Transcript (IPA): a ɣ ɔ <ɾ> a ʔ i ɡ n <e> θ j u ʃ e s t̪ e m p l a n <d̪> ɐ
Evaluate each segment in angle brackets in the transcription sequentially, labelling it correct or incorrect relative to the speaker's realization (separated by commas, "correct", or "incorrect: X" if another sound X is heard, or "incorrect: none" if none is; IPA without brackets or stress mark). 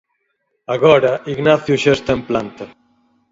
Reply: correct, incorrect: a, incorrect: t̪